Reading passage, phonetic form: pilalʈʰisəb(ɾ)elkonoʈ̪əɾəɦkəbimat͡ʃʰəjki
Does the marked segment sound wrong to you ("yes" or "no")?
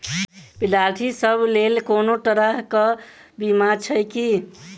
yes